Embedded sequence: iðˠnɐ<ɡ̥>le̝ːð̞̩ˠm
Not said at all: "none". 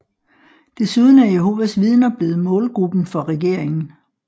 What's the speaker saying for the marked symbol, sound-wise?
b̥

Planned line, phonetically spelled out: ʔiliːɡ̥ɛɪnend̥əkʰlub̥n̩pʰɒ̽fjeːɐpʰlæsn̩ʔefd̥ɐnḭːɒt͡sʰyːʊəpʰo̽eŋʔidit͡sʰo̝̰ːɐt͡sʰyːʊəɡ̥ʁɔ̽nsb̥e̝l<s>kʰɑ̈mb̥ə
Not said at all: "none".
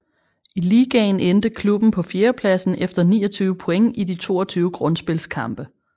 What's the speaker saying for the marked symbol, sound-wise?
s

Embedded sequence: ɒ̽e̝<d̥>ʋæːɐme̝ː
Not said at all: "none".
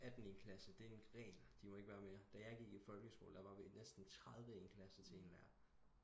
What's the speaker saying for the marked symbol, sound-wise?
ɡ̥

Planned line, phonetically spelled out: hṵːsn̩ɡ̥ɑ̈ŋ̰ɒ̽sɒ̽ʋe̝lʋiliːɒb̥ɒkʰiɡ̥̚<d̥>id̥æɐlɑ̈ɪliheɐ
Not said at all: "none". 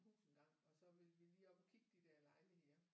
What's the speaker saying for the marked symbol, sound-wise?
d̥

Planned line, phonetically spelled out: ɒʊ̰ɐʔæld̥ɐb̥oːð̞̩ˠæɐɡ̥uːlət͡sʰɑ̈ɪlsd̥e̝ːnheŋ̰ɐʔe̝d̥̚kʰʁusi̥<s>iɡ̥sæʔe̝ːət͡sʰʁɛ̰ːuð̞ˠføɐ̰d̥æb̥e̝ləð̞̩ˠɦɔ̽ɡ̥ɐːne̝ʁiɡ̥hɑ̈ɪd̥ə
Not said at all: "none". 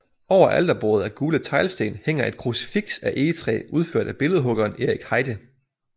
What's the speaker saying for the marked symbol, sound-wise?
f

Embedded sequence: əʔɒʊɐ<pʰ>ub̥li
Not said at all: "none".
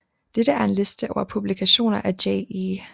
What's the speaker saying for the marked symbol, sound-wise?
pʰ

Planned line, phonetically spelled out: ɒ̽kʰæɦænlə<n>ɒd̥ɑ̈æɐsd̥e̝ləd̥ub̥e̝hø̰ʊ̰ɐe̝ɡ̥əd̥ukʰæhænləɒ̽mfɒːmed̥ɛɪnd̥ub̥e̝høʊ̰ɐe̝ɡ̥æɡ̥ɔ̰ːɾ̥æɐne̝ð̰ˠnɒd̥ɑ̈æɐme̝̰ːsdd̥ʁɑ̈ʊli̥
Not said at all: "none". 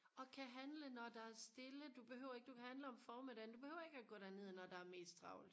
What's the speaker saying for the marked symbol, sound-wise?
n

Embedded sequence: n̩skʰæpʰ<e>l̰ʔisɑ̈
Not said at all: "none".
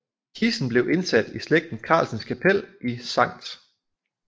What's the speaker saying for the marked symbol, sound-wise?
e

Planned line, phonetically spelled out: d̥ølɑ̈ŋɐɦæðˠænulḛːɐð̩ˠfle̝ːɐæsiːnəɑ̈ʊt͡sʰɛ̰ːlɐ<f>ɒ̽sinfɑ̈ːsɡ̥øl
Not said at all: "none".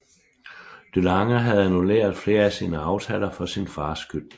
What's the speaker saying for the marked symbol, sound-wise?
f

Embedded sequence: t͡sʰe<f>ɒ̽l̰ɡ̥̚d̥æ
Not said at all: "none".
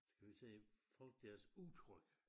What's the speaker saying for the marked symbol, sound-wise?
f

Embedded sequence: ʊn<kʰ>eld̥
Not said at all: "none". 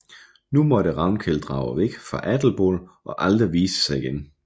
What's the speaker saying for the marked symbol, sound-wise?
kʰ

